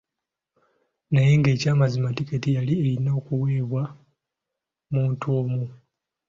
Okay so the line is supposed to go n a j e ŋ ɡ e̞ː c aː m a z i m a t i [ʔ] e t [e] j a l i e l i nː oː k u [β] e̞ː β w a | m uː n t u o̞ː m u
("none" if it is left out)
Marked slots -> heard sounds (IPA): k, i, w

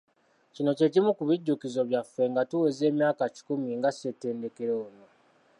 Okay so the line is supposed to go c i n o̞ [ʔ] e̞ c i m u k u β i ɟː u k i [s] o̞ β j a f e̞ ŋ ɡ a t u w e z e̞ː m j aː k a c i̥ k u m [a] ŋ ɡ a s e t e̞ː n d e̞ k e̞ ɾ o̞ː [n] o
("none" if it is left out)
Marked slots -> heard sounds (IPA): c, z, i, n

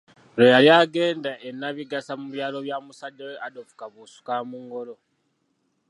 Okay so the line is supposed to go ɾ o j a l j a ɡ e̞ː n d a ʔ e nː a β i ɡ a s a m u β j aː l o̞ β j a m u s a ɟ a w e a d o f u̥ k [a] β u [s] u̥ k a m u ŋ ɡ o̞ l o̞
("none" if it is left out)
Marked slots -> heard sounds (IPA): a, s

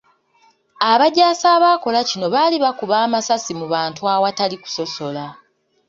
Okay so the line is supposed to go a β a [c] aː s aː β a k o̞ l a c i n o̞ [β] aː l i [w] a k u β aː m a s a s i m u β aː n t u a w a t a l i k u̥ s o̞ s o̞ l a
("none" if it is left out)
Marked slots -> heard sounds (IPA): ɟ, β, β

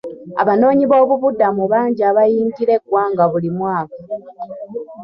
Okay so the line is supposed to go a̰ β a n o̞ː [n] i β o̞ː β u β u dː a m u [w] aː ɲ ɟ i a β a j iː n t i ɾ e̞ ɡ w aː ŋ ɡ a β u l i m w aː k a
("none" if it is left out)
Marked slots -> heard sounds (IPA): ɲ, β

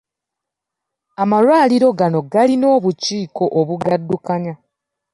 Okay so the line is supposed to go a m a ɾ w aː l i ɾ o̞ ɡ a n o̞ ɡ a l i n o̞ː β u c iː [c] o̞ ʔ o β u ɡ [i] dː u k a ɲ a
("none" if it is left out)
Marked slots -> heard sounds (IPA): k, a

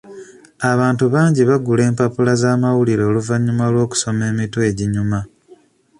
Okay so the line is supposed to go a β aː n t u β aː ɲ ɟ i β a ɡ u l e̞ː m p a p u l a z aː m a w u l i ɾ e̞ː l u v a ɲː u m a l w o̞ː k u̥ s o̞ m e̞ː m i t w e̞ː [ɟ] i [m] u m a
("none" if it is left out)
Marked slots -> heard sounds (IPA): ɟ, ɲ

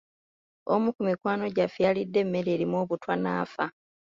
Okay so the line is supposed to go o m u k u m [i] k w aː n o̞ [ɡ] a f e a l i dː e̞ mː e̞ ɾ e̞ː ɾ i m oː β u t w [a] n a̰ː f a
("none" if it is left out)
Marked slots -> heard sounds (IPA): i, ɟ, a

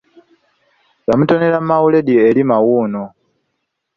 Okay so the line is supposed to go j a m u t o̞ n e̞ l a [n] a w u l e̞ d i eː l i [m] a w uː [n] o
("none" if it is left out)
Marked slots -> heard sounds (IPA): m, m, n

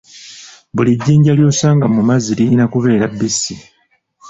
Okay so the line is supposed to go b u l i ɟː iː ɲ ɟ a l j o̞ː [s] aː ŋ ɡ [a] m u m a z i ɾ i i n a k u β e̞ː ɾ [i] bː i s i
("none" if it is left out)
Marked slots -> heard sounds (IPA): s, a, a

